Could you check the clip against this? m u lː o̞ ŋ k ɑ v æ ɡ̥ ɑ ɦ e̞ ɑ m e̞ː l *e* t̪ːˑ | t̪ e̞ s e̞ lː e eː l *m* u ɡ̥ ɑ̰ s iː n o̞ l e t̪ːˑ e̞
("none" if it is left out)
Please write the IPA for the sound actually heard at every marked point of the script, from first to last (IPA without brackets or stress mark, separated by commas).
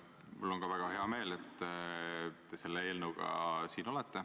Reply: e, n